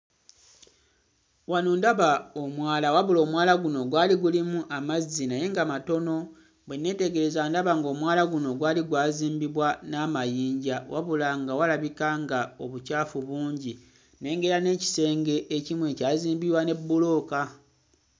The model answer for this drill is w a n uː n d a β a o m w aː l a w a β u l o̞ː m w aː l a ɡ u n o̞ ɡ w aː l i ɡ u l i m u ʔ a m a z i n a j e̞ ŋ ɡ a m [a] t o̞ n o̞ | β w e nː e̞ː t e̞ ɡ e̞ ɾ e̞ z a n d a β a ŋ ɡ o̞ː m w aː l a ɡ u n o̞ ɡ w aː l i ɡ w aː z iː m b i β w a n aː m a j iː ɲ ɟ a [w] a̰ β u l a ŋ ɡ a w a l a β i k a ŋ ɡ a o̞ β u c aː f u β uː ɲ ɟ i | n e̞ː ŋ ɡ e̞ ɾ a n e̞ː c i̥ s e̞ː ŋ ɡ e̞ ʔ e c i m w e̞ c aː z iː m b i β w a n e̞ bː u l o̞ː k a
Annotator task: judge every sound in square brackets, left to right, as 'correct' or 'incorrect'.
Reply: correct, correct

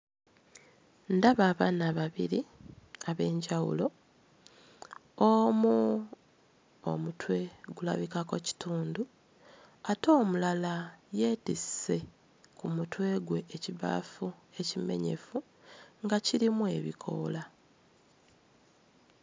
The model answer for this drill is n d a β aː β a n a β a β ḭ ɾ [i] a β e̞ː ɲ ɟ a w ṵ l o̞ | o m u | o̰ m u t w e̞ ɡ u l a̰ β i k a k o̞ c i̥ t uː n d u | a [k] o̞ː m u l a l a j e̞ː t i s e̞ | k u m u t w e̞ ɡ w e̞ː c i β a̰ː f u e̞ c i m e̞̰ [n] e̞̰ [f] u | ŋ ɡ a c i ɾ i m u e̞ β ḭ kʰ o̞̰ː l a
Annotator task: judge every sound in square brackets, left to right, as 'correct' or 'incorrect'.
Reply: correct, incorrect: t, incorrect: ɲ, correct

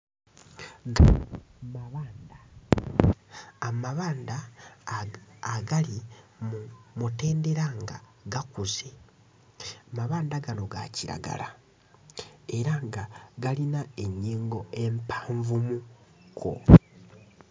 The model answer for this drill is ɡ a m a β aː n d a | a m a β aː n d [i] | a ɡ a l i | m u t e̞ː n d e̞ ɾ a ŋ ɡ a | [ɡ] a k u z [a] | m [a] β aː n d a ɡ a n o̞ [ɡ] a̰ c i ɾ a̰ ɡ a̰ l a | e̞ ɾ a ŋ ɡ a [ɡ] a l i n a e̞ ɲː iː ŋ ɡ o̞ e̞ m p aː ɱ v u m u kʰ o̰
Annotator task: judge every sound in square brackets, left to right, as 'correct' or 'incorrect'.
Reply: incorrect: a, correct, incorrect: e, correct, correct, correct

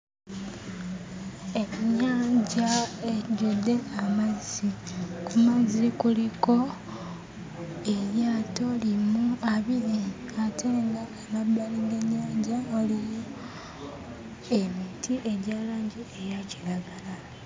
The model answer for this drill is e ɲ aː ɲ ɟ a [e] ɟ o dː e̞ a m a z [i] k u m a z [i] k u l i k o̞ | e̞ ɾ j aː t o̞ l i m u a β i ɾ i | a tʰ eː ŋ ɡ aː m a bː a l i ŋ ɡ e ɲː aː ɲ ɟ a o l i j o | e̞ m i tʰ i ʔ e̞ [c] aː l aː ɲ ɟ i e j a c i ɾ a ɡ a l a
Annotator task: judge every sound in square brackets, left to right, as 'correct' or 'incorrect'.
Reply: correct, correct, correct, incorrect: ɟ

